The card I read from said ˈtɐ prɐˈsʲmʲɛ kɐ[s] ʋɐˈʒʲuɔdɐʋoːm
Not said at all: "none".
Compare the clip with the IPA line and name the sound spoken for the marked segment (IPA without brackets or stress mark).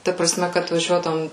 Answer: t